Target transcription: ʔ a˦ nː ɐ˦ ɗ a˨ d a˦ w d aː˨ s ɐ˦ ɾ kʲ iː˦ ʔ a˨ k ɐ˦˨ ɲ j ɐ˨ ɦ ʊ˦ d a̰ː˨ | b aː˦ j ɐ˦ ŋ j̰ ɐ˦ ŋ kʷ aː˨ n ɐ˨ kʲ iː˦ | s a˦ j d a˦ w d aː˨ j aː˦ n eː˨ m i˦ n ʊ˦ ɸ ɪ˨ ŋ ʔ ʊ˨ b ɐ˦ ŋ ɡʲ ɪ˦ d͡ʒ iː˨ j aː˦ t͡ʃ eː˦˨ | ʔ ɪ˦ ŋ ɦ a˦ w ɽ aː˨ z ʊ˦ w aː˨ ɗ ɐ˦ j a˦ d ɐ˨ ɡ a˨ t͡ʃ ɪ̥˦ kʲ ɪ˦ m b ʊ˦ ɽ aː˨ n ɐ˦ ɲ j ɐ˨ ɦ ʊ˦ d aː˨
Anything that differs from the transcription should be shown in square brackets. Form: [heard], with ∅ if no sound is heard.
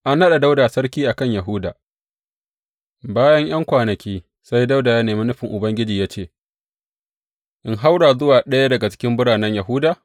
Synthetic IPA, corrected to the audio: ʔ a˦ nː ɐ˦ ɗ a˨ d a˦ w d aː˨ s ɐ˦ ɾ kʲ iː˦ ʔ a˨ k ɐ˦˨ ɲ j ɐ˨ ɦ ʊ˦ d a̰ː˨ | b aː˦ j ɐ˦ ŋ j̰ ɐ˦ ŋ kʷ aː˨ n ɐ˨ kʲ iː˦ | s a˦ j d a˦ w d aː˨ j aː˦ n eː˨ m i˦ n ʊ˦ ɸ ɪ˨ ŋ ʔ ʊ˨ b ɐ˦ ŋ ɡʲ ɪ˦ d͡ʒ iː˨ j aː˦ t͡ʃ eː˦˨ | ʔ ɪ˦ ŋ ɦ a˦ w ɽ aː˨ z ʊ˦ w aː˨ ɗ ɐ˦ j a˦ d ɐ˨ ɡ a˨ t͡ʃ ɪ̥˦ kʲ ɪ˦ m b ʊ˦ ɽ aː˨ n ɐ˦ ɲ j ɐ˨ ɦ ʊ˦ d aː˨

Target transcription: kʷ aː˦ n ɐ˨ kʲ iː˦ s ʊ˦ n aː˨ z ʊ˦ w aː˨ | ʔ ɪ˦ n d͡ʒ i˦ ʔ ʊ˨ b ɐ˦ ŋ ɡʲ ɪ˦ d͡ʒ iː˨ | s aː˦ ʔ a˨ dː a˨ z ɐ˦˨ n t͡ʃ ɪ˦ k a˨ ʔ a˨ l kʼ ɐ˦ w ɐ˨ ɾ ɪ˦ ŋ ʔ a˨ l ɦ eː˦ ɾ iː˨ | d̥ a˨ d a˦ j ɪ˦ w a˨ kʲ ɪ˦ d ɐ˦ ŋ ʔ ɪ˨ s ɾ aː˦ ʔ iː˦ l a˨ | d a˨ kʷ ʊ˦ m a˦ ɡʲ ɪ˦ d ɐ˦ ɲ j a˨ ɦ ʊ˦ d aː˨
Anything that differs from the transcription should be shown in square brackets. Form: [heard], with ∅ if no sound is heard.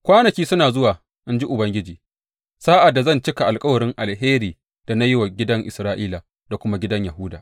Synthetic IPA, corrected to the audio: kʷ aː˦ n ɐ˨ kʲ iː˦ s ʊ˦ n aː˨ z ʊ˦ w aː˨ | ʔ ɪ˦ n d͡ʒ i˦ ʔ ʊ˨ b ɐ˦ ŋ ɡʲ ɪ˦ d͡ʒ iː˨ | s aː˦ ʔ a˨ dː a˨ z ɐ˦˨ n t͡ʃ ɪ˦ k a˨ ʔ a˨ l kʼ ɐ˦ w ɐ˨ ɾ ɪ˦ ŋ ʔ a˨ l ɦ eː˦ ɾ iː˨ | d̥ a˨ [n] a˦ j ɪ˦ w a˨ [ɡʲ] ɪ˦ d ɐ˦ ŋ ʔ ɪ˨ s ɾ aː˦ ʔ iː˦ l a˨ | d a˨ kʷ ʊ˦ m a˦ ɡʲ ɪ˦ d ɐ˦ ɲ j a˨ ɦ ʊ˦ d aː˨

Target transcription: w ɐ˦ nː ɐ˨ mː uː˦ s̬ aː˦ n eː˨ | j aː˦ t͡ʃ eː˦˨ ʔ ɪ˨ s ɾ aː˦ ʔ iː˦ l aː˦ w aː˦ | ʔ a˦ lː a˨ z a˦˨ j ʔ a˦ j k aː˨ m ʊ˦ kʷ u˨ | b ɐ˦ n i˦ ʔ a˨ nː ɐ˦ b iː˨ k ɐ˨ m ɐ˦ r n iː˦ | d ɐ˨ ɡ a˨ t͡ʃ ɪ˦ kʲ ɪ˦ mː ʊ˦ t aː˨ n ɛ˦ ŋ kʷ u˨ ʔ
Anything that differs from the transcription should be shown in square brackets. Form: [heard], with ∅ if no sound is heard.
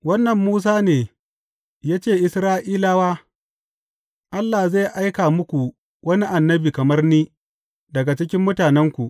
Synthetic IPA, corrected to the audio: w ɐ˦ nː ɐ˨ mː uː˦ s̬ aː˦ n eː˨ | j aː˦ t͡ʃ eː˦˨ ʔ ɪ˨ s ɾ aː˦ ʔ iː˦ l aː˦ w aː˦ | ʔ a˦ lː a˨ z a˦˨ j ʔ a˦ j k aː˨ m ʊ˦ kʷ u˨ | [w] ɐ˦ n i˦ ʔ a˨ nː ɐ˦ b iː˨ k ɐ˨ m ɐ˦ r n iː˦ | d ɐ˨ ɡ a˨ t͡ʃ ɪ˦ kʲ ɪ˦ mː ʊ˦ t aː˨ n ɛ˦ ŋ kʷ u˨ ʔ

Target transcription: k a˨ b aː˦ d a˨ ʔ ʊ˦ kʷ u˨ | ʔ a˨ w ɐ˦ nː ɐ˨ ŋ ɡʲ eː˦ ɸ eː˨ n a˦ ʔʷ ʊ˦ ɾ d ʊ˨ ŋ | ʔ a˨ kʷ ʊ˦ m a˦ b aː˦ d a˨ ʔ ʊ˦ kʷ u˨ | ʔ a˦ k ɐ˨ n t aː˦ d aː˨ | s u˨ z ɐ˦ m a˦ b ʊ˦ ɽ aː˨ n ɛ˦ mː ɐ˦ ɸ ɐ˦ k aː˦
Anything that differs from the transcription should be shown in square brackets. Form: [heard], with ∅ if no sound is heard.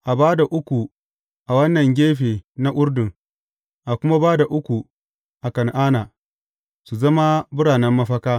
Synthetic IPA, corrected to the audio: [ʔ] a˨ b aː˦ d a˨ ʔ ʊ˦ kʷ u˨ | ʔ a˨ w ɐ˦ nː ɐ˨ ŋ ɡʲ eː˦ ɸ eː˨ n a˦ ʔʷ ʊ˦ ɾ d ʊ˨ ŋ | ʔ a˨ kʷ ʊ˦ m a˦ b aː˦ d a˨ ʔ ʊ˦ kʷ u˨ | ʔ [a˨] k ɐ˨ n [ʔ] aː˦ [n] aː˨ | s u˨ z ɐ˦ m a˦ b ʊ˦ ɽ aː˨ n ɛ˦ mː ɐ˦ ɸ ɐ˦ k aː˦

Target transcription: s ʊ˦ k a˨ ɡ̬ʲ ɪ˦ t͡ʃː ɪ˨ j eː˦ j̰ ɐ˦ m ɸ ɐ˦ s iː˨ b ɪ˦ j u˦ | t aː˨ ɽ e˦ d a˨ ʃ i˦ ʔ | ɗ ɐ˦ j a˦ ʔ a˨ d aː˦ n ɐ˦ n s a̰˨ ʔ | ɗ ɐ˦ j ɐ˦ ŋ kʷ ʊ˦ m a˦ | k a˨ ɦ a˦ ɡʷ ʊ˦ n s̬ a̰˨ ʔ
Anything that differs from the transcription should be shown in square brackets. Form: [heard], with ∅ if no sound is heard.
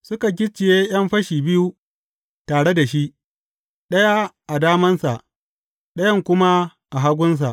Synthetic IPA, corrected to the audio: s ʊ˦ k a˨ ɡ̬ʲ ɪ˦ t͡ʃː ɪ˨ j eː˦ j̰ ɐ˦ m ɸ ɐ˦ [ʃ] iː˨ b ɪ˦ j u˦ | t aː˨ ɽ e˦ d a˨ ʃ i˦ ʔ | ɗ ɐ˦ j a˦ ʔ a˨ d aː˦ [m] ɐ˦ n s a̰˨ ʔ | ɗ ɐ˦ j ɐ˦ ŋ kʷ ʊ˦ m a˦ | [ʔ] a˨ ɦ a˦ ɡʷ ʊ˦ n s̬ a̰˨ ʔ

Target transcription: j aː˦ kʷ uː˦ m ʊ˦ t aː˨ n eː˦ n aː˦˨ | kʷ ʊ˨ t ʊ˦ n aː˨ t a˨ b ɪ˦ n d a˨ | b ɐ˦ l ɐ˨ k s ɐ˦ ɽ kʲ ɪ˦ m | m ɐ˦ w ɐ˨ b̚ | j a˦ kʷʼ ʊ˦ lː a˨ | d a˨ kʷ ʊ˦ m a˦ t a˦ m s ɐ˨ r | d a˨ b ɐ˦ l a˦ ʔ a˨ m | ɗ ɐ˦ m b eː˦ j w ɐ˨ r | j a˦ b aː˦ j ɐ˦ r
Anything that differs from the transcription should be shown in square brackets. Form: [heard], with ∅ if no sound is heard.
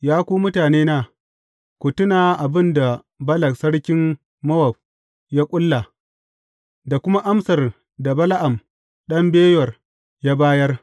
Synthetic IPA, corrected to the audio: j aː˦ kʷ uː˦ m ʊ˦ t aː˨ n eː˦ n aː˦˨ | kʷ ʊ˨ t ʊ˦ n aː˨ [ʔ] a˨ b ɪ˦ n d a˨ | b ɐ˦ l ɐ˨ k s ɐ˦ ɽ kʲ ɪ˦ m | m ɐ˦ w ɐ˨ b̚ | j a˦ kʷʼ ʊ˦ lː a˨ | d a˨ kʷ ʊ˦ m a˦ [ʔ] a˦ m s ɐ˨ r | d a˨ b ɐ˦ l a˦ ʔ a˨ m | ɗ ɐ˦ m b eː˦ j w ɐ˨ r | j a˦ b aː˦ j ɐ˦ r

